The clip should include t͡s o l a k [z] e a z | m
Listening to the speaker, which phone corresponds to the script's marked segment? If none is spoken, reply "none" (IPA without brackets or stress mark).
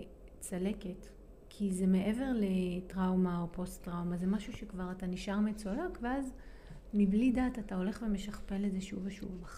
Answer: v